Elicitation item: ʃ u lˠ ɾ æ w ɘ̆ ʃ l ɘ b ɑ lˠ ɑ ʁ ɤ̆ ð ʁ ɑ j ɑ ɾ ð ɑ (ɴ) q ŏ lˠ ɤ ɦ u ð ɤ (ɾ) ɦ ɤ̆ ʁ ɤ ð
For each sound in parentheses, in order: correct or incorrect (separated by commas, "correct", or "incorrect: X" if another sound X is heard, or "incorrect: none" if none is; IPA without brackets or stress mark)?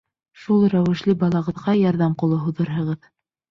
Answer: incorrect: m, correct